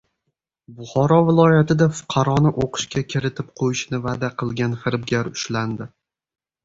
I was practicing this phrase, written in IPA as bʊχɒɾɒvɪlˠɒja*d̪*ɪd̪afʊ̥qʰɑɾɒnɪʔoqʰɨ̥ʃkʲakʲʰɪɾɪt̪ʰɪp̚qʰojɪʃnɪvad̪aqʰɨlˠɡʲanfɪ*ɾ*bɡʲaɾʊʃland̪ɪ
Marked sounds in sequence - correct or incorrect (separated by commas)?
incorrect, correct